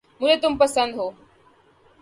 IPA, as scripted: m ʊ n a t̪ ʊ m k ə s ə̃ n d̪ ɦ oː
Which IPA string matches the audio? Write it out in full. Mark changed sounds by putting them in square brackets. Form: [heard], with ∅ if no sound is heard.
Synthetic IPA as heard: m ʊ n [e] t̪ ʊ m [p] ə s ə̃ n d̪ ɦ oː